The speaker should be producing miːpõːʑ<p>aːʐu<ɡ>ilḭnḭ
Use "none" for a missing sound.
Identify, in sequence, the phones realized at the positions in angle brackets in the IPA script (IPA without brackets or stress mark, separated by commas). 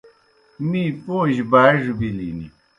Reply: b, b